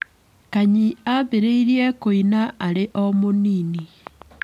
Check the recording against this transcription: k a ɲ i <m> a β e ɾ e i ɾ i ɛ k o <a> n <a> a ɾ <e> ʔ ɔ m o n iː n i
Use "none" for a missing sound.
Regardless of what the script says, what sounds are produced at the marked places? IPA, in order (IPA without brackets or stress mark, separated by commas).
none, i, a, e